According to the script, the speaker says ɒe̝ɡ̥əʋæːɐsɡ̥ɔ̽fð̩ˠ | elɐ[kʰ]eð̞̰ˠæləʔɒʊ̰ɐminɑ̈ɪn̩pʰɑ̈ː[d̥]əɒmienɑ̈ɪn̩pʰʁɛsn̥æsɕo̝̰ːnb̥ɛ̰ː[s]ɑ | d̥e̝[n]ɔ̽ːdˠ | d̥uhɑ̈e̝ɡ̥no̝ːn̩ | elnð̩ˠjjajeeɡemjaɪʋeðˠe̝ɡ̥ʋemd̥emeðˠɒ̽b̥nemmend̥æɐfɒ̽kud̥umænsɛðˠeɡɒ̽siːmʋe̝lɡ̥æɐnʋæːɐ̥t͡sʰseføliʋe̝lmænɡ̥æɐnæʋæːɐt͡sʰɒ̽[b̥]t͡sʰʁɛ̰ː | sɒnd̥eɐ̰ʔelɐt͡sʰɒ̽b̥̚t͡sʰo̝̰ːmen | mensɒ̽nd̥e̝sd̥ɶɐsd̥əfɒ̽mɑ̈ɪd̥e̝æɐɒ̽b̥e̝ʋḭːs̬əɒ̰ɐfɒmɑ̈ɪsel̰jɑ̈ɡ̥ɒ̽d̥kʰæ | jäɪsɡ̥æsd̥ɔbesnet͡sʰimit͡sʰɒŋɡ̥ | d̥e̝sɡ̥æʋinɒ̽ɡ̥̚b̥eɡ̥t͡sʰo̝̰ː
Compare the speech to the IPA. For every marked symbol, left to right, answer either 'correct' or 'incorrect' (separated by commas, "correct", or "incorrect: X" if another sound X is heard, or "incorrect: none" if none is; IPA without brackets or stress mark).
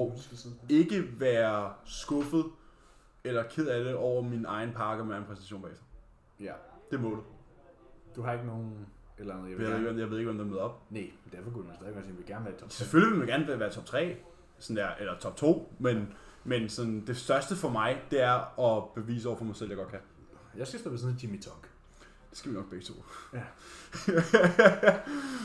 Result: correct, incorrect: ɡ̥, correct, incorrect: m, correct